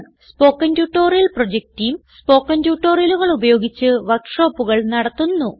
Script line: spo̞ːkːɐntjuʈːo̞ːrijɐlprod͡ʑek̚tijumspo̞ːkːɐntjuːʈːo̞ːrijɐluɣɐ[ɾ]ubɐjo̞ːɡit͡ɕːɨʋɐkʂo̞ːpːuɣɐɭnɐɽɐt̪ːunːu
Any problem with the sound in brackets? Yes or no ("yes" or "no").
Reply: yes